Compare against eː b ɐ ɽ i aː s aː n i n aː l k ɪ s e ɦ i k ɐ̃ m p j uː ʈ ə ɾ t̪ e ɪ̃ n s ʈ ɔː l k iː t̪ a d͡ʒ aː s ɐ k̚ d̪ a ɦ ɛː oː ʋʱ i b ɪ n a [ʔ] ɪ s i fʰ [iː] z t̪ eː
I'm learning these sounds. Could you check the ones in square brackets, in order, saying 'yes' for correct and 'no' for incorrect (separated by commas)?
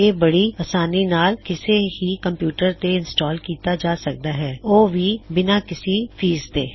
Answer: no, yes